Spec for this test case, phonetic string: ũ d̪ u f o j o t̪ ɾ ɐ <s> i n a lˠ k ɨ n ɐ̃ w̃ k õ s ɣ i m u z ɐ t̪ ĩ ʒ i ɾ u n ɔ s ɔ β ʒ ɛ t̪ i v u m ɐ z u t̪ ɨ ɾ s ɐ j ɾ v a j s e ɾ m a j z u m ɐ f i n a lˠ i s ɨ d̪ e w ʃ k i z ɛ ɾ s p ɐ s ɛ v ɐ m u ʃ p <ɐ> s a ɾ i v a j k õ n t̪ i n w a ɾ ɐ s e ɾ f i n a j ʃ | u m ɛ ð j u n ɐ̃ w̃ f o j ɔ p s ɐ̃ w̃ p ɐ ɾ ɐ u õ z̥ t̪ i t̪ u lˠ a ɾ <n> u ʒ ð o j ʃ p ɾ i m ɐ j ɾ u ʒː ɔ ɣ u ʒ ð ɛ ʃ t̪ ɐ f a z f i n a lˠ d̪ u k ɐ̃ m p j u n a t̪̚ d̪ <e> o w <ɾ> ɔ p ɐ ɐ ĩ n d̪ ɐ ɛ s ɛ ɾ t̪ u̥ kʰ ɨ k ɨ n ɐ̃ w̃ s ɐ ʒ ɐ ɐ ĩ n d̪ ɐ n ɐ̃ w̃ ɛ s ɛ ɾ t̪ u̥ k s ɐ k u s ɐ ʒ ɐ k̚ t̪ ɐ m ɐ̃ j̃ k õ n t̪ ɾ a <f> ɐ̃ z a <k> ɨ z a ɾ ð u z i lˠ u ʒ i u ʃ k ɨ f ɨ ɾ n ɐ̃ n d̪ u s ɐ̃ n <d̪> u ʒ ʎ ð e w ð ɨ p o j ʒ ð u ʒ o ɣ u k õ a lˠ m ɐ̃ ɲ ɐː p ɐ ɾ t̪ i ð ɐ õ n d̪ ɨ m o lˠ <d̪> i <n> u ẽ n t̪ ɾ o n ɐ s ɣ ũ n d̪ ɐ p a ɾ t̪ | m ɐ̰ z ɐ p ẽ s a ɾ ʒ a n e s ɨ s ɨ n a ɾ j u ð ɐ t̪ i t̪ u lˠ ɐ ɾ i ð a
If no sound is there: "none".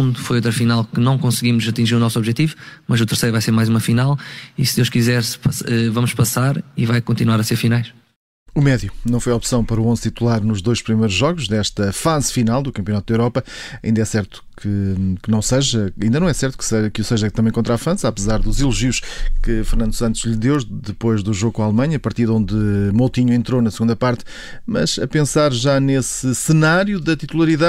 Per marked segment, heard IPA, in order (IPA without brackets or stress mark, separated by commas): f, ɐ, n, e, ɾ, f, p, t̪, t̪, ɲ